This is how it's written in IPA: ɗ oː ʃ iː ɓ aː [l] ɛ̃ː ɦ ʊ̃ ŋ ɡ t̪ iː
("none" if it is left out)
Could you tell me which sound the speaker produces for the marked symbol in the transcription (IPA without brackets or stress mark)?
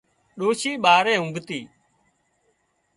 ɾ